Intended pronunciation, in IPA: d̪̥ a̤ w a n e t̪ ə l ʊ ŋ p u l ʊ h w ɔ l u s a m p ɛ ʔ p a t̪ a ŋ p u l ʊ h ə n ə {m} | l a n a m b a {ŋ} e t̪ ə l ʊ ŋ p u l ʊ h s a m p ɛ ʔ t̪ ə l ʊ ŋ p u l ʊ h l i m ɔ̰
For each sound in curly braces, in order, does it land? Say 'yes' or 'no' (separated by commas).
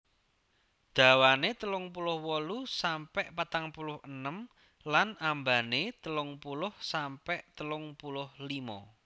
yes, no